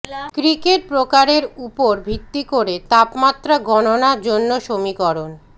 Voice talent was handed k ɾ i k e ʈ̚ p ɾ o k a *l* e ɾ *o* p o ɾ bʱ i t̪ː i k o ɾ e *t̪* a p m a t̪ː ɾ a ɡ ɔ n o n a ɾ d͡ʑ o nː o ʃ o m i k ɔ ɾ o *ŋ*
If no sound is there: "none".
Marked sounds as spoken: ɾ, u, t̪, n

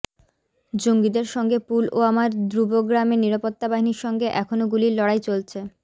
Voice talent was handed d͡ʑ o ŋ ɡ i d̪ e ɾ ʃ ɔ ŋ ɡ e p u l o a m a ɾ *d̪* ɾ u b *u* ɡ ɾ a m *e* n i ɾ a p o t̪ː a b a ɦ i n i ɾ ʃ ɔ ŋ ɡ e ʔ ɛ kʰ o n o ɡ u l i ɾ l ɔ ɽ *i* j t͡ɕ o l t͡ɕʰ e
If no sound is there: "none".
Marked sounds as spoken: d̪, o, e, a

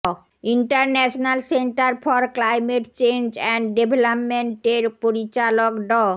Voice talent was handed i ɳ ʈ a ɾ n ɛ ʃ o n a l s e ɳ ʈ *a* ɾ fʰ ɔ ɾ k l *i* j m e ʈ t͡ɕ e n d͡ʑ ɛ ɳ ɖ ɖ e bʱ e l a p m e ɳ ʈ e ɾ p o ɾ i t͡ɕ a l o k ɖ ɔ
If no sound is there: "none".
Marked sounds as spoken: a, a

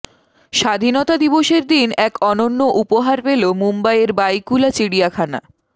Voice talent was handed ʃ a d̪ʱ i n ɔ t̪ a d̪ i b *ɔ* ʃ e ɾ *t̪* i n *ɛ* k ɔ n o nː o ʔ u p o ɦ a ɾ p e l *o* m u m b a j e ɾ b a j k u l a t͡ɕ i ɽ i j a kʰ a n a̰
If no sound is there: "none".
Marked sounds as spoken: o, d̪, ɛ, o

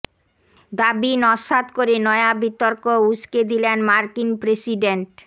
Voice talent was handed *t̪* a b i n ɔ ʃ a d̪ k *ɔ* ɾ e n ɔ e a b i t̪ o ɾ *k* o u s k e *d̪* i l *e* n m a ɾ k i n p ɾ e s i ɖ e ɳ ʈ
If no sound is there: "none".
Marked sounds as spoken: d̪, o, k, d̪, e

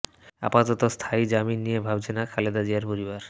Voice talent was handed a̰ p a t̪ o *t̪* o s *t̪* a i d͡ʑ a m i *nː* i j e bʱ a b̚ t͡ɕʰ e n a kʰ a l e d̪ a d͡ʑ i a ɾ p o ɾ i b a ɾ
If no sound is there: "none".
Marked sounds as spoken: t̪, t̪ʰ, nː

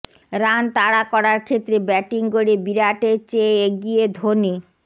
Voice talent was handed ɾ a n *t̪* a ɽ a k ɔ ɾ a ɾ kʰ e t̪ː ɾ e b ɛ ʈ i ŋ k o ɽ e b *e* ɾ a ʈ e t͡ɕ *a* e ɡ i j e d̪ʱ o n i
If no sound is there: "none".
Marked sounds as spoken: t̪, i, e

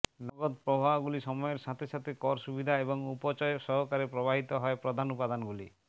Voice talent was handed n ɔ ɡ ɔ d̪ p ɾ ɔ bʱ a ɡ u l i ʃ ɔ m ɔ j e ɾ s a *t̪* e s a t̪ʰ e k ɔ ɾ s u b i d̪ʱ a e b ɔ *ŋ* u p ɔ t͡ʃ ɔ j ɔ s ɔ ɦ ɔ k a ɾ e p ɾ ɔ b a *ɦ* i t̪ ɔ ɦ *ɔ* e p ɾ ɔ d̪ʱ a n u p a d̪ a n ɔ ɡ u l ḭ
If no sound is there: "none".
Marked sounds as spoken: t̪ʰ, ŋ, ɦ, ɔ

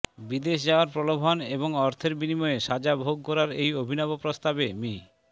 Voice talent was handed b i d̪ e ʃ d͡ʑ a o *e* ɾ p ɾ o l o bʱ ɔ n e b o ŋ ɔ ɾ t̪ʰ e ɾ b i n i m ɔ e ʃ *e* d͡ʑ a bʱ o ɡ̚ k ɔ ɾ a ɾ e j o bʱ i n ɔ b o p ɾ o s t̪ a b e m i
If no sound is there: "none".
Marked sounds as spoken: a, a

